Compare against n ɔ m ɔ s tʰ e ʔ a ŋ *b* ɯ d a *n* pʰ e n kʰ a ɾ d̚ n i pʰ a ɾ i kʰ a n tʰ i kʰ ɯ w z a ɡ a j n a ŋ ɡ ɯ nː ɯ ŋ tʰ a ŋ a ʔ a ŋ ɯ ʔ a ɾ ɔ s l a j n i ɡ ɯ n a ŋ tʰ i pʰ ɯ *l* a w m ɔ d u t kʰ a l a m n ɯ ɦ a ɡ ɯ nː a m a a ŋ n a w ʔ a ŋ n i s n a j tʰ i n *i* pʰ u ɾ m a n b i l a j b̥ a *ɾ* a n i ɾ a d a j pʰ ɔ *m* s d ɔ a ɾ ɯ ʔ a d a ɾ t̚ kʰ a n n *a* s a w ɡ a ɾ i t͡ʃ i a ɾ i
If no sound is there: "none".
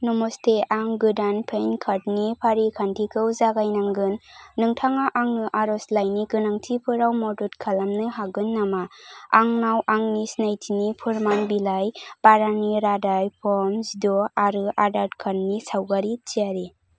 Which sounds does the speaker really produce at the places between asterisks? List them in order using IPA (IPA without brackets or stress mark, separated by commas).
ɡ, n, ɾ, i, ɾ, m, i